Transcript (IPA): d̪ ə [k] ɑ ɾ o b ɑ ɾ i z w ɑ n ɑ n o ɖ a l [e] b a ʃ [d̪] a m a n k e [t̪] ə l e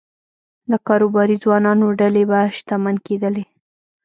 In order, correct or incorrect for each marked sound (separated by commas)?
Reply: correct, correct, incorrect, incorrect